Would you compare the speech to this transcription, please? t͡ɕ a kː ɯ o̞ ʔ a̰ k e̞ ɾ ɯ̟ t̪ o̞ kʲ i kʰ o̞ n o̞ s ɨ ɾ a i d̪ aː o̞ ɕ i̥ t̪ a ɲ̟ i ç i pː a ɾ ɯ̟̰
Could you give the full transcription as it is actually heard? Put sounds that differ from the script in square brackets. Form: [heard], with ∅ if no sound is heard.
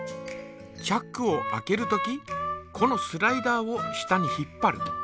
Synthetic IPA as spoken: t͡ɕ a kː ɯ o̞ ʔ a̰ k e̞ ɾ ɯ̟ t̪ o̞ kʲ i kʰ o̞ n o̞ s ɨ ɾ a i d̪ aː o̞ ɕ i̥ t̪ a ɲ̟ i ç i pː a ɾ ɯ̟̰